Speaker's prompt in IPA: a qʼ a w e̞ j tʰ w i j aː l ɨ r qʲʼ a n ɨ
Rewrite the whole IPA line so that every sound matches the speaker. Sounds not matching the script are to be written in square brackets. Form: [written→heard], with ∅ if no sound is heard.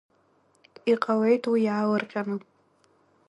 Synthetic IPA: [a→i] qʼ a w e̞ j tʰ w i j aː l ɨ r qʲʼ a n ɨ